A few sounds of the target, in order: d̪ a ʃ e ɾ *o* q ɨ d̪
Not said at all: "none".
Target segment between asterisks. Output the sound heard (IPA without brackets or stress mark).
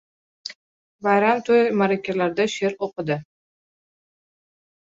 o